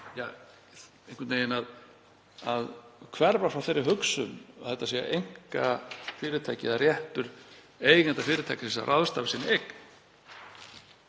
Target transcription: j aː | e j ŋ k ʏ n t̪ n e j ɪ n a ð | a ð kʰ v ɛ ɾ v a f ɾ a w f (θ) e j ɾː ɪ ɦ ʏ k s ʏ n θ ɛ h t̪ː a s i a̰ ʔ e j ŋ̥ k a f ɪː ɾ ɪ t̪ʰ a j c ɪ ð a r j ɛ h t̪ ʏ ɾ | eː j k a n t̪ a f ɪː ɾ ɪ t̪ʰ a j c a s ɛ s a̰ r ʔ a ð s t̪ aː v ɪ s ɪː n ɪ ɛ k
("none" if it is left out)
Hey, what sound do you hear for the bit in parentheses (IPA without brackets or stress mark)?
θ